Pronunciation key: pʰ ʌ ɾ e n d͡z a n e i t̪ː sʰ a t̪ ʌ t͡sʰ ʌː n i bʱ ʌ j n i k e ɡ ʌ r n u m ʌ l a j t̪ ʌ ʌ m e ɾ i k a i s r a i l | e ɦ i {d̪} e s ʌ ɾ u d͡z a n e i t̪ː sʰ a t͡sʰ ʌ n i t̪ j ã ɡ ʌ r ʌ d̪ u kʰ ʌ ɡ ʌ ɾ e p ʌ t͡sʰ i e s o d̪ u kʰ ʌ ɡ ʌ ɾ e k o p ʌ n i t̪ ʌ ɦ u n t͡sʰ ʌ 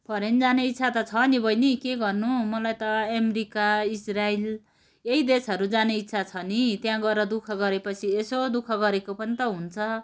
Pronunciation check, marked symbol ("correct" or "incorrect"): correct